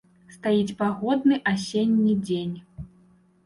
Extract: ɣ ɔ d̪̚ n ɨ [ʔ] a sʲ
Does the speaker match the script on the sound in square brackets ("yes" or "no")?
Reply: yes